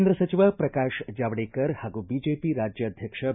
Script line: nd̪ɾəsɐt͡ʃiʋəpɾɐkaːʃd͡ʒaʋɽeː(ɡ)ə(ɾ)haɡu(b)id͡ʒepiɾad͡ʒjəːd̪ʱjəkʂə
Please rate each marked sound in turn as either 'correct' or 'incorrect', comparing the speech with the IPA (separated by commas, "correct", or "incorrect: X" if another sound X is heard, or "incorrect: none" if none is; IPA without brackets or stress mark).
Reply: incorrect: k, correct, correct